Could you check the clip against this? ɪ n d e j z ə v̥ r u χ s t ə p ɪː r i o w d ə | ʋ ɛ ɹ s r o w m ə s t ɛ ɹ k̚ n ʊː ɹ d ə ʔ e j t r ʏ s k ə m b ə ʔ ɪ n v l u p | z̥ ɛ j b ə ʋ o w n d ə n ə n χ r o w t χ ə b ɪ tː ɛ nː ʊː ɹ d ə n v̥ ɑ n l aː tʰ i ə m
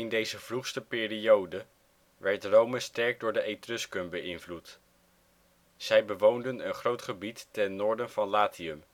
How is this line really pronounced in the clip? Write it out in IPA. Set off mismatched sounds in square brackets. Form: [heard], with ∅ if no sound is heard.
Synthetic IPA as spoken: ɪ n d e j z ə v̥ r u χ s t ə p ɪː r i o w d ə | ʋ ɛ ɹ [t] r o w m ə s t ɛ ɹ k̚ [d] ʊː ɹ d ə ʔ e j t r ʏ s k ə m b ə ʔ ɪ n v l u [t] | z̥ ɛ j b ə ʋ o w n d ə n ə n χ r o w t χ ə b [i] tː ɛ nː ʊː ɹ d ə n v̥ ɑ n l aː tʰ i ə m